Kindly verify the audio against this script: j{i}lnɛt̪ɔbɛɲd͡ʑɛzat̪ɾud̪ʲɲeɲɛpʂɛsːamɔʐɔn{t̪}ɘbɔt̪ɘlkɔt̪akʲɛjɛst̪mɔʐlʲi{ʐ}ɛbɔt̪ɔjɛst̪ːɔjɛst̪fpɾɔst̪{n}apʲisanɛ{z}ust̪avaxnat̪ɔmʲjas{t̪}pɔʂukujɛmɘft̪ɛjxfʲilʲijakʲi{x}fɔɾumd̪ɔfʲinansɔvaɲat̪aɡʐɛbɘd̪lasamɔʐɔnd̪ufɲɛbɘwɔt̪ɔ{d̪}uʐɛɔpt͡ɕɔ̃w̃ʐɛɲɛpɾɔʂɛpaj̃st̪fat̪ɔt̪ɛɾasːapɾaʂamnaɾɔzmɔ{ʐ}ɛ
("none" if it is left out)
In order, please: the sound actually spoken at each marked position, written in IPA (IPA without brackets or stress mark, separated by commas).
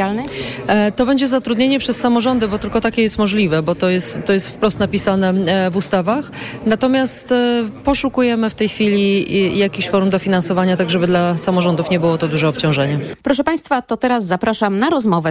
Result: a, d̪, v, n, v, t̪, ɕ, d̪, v